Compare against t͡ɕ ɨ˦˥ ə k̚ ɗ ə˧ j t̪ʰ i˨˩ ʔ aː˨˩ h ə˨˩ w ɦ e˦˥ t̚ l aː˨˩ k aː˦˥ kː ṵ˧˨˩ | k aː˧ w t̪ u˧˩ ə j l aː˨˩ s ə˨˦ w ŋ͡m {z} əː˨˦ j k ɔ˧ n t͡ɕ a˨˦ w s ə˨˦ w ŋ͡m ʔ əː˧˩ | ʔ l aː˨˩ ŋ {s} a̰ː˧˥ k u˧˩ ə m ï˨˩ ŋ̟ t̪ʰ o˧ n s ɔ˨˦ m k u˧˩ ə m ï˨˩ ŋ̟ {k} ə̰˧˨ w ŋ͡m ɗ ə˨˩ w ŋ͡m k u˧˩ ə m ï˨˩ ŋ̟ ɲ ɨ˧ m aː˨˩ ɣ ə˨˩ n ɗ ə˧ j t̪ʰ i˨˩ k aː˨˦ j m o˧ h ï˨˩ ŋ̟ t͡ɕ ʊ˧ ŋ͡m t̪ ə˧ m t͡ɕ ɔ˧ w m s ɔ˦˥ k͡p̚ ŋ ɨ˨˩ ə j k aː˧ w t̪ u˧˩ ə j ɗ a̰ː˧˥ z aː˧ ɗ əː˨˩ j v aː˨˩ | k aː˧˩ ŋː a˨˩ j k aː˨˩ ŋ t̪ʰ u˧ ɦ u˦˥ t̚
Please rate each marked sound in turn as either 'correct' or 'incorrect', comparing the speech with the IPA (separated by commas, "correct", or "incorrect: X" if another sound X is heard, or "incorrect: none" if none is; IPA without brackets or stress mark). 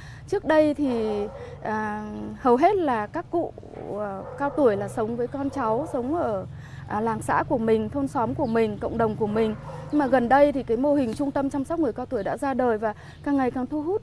incorrect: v, correct, correct